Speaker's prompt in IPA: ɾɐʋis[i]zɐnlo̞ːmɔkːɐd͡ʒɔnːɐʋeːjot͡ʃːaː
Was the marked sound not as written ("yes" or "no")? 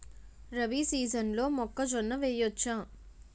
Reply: yes